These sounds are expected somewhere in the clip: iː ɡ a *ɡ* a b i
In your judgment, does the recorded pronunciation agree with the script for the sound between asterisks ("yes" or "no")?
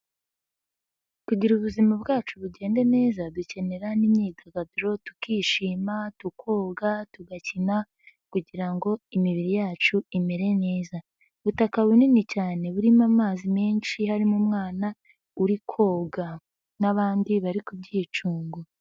yes